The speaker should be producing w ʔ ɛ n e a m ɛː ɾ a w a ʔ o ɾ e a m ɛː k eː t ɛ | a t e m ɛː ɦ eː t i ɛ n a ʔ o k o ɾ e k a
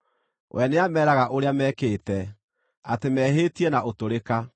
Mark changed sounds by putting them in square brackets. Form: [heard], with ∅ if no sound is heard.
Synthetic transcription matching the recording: w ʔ ɛ n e a m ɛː ɾ a [ɣ] a ʔ o ɾ e a m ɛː k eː t ɛ | a t e m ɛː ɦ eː t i ɛ n a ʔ o [t] o ɾ e k a